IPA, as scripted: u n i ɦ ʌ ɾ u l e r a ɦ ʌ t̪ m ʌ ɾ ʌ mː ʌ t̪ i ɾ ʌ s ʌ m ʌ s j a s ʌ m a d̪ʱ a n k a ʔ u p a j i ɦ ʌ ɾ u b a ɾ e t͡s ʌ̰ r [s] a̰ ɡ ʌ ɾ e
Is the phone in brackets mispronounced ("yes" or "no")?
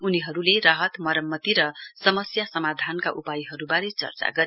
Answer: yes